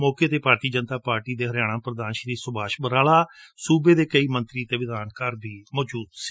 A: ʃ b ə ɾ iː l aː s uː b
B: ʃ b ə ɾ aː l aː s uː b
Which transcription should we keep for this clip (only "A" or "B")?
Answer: B